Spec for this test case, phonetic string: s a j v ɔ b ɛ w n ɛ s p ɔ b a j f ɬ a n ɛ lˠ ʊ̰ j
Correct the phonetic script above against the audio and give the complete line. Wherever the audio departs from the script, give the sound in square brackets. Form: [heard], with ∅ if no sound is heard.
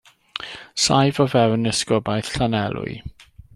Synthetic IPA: s a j v ɔ [v] ɛ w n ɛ s [k] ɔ b a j [θ] ɬ a n ɛ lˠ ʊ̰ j